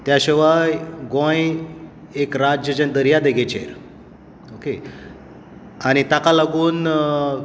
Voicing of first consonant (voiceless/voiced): voiceless